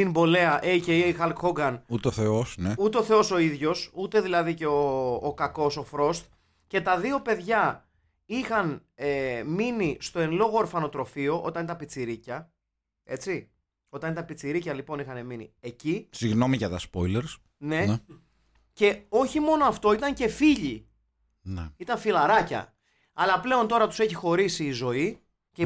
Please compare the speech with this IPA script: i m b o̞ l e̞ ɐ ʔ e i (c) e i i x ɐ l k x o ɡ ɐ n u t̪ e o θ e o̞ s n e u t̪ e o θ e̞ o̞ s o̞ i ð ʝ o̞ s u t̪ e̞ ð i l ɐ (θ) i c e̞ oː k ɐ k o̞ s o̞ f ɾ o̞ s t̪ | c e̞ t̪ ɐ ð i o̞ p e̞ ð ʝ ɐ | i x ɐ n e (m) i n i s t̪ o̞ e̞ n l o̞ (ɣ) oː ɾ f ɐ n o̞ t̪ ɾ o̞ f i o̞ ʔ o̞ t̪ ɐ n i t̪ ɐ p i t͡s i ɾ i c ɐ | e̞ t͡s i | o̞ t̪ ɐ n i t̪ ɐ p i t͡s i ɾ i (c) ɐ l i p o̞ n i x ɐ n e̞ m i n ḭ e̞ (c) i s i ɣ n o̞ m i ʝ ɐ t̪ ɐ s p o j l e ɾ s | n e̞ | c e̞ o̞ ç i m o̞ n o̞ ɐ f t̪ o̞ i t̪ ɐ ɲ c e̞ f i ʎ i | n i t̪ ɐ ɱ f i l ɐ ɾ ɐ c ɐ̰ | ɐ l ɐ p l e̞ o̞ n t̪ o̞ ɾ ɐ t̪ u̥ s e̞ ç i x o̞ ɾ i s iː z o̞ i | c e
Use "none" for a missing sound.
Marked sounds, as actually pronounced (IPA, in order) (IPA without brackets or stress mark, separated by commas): c, ð, m, ɣ, c, c